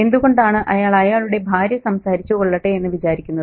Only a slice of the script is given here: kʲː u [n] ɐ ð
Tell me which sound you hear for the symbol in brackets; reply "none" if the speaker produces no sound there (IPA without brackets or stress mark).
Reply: nː